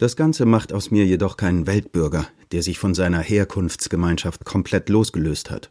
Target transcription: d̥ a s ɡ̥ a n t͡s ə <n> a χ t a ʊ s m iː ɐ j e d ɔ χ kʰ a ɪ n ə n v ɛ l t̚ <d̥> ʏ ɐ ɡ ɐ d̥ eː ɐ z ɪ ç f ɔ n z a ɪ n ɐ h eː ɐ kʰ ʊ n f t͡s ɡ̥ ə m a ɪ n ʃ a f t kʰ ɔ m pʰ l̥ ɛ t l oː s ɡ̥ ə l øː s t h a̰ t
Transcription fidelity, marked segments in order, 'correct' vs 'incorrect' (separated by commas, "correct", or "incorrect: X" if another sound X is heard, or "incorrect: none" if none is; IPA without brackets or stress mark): incorrect: m, incorrect: b̥